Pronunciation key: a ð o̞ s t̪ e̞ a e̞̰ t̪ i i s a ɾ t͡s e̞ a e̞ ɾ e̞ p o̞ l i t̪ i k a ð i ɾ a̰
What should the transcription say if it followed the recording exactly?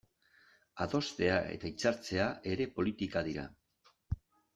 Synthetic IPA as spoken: a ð o̞ s t̪ e̞ a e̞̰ t̪ a i t͡s a ɾ t͡s e̞ a e̞ ɾ e̞ p o̞ l i t̪ i k a ð i ɾ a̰